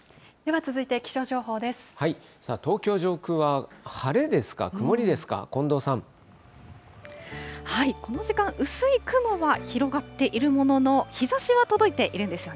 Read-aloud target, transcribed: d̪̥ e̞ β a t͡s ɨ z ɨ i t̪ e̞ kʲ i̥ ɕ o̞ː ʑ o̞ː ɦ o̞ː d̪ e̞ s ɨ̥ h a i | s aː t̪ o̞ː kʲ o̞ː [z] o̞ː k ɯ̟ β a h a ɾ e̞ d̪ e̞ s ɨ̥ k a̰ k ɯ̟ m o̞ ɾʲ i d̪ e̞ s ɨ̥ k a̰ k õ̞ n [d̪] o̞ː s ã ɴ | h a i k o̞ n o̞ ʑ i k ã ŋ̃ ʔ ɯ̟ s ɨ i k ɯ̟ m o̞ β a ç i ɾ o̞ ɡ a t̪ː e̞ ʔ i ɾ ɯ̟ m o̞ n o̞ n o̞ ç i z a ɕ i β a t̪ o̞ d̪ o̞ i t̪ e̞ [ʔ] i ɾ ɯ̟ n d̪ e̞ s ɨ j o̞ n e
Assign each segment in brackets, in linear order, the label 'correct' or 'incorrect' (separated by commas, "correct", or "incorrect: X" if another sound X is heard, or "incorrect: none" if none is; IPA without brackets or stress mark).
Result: incorrect: ʑ, correct, correct